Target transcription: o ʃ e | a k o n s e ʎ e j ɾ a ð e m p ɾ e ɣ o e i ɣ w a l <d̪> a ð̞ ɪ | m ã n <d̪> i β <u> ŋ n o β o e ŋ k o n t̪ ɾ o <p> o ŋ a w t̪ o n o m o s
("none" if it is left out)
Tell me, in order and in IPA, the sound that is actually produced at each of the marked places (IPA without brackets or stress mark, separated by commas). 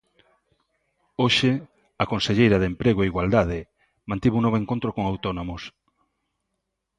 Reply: d̪, t̪, u, k